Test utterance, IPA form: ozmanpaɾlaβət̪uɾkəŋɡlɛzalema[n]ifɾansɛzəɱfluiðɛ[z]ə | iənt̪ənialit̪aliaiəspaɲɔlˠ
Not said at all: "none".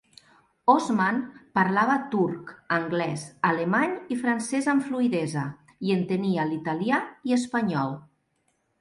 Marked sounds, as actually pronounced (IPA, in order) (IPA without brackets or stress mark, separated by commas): ɲ, z